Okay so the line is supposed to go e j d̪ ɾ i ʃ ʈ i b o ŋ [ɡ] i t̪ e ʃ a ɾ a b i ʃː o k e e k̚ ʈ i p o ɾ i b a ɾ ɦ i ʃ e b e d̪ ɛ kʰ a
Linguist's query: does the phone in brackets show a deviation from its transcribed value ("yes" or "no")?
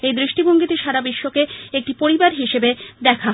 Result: no